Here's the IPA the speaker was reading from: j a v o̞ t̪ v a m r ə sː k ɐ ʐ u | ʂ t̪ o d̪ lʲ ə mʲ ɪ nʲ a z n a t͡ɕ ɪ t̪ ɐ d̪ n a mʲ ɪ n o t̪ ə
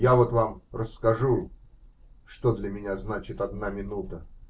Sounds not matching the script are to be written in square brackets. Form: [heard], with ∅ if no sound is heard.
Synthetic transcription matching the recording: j a v o̞ t̪ v a m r ə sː k ɐ ʐ u | ʂ t̪ o d̪ lʲ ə mʲ ɪ nʲ a z n a t͡ɕ ɪ t̪ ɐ d̪ n a mʲ ɪ n [u] t̪ ə

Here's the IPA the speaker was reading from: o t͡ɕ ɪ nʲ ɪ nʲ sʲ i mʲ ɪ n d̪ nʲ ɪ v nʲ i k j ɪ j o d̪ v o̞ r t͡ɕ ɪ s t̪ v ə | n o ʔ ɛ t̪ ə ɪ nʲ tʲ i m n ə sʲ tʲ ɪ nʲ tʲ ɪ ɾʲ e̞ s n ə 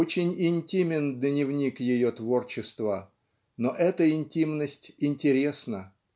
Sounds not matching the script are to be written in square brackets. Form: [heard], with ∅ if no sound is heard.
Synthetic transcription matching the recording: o t͡ɕ ɪ nʲ ɪ nʲ [tʲ] i mʲ ɪ n d̪ nʲ ɪ v nʲ i k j ɪ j o [t̪] v o̞ r t͡ɕ ɪ s t̪ v ə | n o ʔ ɛ t̪ ə ɪ nʲ tʲ i m n ə sʲ tʲ ɪ nʲ tʲ ɪ ɾʲ e̞ s n ə

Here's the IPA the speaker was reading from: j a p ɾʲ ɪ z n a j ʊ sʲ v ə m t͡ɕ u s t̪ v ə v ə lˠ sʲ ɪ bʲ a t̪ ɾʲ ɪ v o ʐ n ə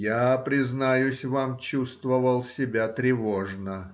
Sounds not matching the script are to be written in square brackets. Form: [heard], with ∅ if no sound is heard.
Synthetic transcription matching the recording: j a p ɾʲ ɪ z n a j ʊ sʲ v [a] m t͡ɕ u s t̪ v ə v ə lˠ sʲ ɪ bʲ a t̪ ɾʲ ɪ v o ʐ n ə

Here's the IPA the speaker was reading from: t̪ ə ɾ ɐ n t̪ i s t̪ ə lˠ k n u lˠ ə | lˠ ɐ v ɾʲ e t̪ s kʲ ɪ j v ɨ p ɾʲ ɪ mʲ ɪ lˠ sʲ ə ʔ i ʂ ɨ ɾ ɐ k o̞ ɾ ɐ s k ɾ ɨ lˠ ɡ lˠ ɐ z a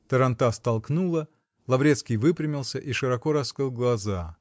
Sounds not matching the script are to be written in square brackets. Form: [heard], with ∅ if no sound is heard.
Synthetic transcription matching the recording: t̪ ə ɾ ɐ n t̪ [a] s t̪ [ɐ] lˠ k n u lˠ ə | lˠ ɐ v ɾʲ e t̪ s kʲ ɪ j v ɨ p ɾʲ ɪ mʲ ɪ lˠ sʲ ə ʔ i ʂ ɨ ɾ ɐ k o̞ ɾ ɐ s k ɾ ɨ lˠ ɡ lˠ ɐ z a

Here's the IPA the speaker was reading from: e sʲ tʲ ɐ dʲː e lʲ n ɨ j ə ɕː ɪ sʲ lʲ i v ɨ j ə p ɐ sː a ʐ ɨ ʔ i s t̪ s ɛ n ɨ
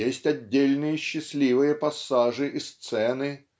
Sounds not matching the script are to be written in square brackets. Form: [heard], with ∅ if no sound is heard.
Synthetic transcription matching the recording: e sʲ tʲ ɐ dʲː e lʲ n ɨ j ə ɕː ɪ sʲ lʲ i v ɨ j ə p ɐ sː a ʐ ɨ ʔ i s t̪ s ɛ n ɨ

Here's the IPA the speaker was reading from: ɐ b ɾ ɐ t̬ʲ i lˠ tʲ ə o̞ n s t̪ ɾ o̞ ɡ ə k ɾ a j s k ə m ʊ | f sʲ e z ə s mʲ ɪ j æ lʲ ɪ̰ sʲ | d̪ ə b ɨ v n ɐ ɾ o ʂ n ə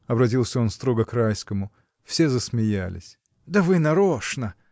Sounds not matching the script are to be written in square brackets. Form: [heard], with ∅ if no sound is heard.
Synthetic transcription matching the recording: ɐ b ɾ ɐ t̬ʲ i lˠ [sʲ] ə o̞ n s t̪ ɾ o̞ ɡ ə k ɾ a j s k ə m ʊ | f sʲ e z ə s mʲ ɪ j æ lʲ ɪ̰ sʲ | d̪ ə [v] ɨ [∅] n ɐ ɾ o ʂ n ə

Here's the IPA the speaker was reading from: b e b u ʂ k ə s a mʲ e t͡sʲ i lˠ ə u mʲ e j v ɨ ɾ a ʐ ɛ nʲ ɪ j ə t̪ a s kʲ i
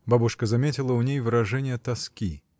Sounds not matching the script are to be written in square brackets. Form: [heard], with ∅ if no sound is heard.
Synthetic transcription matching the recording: b [a] b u ʂ k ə [z] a mʲ e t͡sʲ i lˠ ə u [nʲ] e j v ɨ ɾ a ʐ ɛ nʲ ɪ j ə t̪ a s kʲ i

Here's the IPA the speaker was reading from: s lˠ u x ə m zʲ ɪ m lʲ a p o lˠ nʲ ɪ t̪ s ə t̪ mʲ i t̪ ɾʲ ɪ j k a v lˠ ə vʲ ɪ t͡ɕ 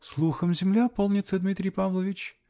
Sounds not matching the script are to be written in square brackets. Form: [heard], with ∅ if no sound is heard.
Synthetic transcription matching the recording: s lˠ u x ə m zʲ ɪ m lʲ a p o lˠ nʲ ɪ t̪ s ə [d̪] mʲ i t̪ ɾʲ ɪ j [p] a v lˠ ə vʲ ɪ t͡ɕ

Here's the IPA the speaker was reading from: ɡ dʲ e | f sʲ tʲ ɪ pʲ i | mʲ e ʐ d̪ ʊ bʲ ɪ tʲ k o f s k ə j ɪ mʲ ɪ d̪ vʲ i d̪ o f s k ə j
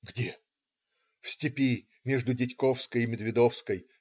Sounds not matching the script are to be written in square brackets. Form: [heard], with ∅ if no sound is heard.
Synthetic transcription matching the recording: ɡ dʲ e | f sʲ tʲ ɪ pʲ i | mʲ e ʐ d̪ ʊ [dʲ] ɪ tʲ k o f s k ə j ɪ mʲ ɪ d̪ vʲ [ɪ] d̪ o f s k ə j

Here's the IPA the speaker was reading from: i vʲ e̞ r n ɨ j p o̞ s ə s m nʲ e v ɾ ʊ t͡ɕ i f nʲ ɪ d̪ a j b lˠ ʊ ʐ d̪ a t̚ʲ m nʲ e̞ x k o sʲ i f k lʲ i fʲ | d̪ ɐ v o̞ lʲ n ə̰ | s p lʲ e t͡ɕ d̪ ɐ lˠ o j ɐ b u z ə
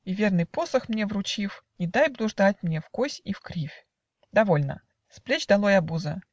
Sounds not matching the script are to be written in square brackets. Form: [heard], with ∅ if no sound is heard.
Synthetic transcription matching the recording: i vʲ e̞ r n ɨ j p o̞ s ə [x] m nʲ e v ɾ ʊ t͡ɕ i f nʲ ɪ d̪ a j b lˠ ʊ ʐ d̪ a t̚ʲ m nʲ e̞ [f] k o sʲ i f k [ɾʲ] i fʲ | d̪ ɐ v o̞ lʲ n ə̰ | s p lʲ e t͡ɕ d̪ ɐ lˠ o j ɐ b u z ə

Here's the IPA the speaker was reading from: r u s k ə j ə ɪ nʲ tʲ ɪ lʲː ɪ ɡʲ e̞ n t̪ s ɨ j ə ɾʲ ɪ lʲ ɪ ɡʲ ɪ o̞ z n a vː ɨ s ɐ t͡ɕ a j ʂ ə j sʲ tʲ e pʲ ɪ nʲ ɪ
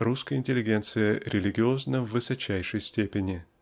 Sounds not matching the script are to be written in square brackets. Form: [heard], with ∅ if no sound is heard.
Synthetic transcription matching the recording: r u s k ə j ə ɪ nʲ tʲ ɪ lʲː ɪ ɡʲ e̞ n t̪ s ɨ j ə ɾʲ ɪ lʲ ɪ ɡʲ ɪ o̞ z n [ə] vː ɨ s ɐ t͡ɕ [æ] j ʂ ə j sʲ tʲ e pʲ ɪ nʲ ɪ

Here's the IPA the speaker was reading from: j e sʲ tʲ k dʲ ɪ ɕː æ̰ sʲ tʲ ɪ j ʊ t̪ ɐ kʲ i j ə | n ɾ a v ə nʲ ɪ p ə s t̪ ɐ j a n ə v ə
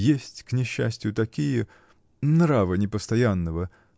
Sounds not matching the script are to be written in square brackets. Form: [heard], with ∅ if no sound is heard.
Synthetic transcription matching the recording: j e sʲ tʲ k [nʲ] ɪ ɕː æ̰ sʲ tʲ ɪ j ʊ t̪ ɐ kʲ i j ə | n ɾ a v ə nʲ ɪ p ə s t̪ ɐ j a [nː] ə v ə

